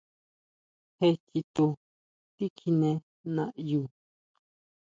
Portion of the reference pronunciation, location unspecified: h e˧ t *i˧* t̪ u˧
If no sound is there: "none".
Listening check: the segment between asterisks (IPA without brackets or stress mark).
i˧